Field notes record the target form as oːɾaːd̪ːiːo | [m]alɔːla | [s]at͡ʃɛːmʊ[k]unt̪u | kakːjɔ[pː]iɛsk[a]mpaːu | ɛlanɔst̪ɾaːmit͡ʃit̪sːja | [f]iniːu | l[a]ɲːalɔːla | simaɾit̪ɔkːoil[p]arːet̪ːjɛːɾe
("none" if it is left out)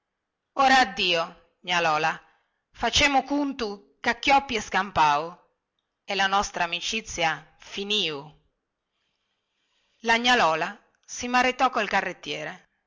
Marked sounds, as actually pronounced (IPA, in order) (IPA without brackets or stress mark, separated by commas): ɲ, f, k, pː, a, f, a, k